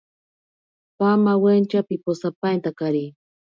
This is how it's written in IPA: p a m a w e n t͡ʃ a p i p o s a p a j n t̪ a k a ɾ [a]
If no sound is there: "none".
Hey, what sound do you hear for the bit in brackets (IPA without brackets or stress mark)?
i